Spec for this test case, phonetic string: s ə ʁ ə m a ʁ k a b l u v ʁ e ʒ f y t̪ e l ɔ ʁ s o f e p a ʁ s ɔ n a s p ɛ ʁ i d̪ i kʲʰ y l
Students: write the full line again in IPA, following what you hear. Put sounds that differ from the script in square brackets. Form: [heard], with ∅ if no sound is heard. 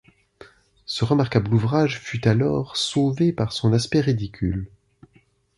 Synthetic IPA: s ə ʁ ə m a ʁ k a b l u v ʁ [a] ʒ f y t̪ [a] l ɔ ʁ s o [v] e p a ʁ s [ɔ̃] n a s p ɛ ʁ i d̪ i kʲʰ y l